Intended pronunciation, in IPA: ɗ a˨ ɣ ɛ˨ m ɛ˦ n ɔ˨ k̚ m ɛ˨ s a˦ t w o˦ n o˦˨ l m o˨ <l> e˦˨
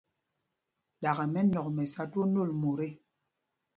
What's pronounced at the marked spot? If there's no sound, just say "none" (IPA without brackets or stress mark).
ɾ